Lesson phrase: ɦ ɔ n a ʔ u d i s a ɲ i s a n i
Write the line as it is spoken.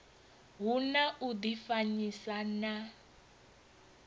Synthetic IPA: ɦ u n a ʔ u d i f a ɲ i s a n a